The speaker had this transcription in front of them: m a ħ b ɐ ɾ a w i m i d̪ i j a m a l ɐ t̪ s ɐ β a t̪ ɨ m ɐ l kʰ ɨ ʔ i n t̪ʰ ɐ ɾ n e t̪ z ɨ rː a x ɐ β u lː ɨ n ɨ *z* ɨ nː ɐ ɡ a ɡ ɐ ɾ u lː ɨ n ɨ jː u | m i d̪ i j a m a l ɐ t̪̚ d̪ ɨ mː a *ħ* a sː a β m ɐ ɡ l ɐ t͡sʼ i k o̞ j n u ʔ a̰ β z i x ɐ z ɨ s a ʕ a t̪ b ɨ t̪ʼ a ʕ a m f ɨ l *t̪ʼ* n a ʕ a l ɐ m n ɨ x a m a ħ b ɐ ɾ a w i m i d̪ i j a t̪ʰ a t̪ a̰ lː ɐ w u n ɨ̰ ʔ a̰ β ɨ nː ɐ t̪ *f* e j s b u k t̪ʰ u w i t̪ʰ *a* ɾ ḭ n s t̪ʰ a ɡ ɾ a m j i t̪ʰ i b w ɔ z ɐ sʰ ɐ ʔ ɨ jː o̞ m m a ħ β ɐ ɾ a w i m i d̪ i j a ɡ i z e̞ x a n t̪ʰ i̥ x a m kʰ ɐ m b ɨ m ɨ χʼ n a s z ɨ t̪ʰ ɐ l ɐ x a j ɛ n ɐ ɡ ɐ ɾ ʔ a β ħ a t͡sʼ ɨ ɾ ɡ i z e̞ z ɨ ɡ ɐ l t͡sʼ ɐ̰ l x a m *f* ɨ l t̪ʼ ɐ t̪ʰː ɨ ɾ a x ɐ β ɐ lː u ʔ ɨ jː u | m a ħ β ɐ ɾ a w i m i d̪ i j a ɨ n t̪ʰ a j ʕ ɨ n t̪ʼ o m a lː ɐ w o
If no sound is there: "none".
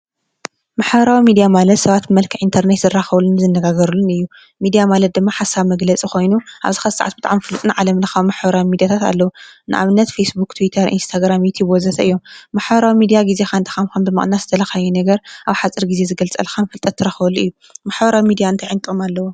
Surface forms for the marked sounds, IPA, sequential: z, ħ, t̪ʼ, f, ɐ, f

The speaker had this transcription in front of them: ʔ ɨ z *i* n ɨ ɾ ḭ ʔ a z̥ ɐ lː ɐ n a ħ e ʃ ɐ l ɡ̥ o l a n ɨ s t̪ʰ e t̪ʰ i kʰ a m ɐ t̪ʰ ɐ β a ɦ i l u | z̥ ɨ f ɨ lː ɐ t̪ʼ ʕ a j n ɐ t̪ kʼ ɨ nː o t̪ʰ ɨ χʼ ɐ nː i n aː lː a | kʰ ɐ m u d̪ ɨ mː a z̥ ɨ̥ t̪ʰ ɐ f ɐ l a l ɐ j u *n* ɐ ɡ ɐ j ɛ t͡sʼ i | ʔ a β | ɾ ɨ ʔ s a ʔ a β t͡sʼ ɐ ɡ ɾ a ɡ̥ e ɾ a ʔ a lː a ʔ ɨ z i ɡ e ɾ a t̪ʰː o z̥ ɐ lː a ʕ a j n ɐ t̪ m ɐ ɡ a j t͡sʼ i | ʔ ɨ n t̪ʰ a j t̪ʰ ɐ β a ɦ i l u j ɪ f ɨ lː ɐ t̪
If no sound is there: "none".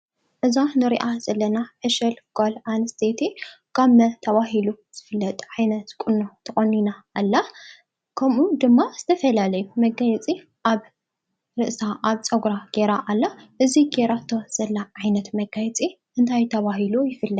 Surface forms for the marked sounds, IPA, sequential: a, m

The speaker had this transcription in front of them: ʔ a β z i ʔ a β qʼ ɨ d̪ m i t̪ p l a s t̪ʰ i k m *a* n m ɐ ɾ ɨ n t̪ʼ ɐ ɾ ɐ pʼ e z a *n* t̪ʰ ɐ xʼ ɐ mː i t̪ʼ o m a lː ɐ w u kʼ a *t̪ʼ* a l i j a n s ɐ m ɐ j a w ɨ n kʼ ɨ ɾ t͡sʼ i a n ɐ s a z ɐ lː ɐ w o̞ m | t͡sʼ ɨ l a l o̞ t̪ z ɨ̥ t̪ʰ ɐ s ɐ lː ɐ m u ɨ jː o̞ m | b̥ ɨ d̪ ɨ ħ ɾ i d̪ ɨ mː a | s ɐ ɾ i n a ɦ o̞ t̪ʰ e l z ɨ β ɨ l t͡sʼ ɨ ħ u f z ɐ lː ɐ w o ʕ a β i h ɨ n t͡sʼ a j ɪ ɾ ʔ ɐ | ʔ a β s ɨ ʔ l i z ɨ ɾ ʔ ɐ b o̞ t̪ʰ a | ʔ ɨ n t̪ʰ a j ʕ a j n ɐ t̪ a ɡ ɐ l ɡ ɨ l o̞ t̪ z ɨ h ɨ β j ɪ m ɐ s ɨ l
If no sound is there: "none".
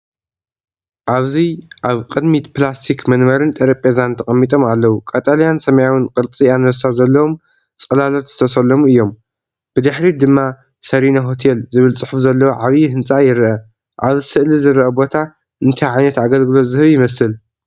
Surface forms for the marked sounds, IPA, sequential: ɐ, n, t̪ʼ

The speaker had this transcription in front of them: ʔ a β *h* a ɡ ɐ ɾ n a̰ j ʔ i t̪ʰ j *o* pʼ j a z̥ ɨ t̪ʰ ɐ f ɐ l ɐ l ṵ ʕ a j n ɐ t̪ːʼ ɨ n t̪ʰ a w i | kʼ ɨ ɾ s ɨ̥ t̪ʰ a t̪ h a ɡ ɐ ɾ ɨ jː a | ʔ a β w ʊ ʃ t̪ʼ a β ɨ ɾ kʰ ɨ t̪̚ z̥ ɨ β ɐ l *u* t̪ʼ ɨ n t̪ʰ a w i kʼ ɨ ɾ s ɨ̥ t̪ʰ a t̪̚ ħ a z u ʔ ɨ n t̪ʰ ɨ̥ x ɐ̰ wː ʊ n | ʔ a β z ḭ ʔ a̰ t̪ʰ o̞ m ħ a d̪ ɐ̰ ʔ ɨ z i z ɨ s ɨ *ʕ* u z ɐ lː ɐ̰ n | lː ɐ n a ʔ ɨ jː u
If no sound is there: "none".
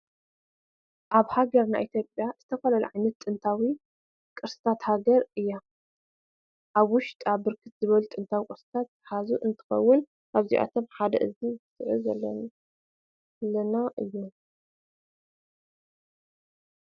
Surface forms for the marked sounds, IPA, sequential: h, o, u, ʕ

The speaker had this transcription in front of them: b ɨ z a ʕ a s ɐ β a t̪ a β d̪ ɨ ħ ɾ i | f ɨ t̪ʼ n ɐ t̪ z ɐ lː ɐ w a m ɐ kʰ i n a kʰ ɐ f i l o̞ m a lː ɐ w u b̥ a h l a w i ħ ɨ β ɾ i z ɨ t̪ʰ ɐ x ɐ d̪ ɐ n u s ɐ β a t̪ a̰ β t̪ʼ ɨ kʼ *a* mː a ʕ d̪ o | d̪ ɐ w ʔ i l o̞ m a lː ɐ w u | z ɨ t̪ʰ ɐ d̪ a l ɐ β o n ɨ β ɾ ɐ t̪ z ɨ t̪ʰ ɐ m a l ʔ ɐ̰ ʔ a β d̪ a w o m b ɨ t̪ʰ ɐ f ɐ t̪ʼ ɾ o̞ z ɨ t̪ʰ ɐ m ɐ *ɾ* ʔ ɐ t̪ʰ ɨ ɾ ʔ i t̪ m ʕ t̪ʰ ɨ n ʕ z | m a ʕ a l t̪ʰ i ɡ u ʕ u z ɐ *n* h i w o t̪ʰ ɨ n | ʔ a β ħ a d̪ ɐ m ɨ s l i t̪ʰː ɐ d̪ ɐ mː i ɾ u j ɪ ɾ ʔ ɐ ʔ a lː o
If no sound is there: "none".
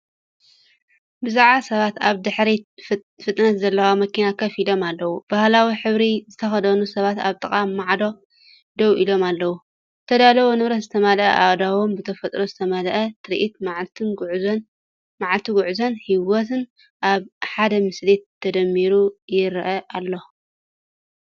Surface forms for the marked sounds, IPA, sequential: a, l, n

